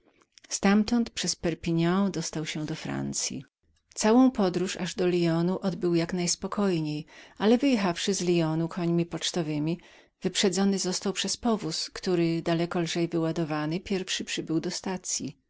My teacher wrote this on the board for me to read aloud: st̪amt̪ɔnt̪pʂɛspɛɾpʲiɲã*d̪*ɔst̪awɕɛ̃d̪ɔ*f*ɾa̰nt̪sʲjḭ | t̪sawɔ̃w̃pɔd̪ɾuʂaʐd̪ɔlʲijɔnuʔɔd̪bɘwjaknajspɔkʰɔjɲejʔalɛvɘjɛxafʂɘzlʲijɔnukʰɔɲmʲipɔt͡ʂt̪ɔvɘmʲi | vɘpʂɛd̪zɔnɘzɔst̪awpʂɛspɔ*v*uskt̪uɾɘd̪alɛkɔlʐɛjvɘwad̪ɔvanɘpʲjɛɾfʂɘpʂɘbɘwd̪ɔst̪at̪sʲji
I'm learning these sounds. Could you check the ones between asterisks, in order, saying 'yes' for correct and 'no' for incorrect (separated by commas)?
yes, yes, yes